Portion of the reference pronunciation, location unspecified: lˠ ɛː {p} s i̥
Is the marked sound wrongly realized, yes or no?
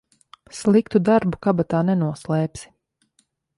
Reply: no